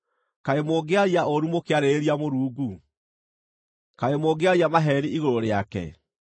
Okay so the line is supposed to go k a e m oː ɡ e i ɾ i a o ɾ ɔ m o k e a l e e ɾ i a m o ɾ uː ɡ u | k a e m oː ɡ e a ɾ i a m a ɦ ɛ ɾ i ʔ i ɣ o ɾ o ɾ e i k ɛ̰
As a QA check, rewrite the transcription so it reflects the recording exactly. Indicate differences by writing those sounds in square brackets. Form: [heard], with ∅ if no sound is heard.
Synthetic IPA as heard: k a e m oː ɡ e [a] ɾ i a o ɾ [u] m o k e a [ɾ] e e ɾ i a m o ɾ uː ɡ u | k a e m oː ɡ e a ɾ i a m a ɦ ɛ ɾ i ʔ i ɣ o ɾ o ɾ e [a] k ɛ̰